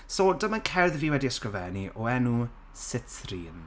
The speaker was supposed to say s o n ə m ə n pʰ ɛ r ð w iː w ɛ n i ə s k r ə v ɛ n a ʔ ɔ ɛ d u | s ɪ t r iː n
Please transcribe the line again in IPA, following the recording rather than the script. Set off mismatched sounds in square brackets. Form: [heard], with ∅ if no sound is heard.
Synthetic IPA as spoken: s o [d] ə m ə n [kʰ] ɛ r ð [v] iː w ɛ [d] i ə s k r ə v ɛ n [i] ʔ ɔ ɛ [n] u | s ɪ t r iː n